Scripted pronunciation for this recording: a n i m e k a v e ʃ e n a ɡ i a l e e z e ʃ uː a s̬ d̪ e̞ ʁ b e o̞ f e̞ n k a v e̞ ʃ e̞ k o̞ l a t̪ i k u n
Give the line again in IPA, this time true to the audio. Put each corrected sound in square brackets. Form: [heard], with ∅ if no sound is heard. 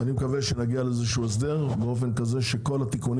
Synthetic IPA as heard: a n i m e k a v e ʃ e n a ɡ i a l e e z e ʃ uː [e] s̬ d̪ e̞ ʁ b e o̞ f e̞ n k a [z] e̞ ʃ e̞ k o̞ l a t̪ i k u n